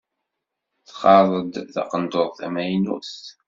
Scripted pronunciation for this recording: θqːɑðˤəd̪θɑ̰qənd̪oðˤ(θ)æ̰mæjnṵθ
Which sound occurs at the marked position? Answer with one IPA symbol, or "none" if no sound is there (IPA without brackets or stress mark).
θ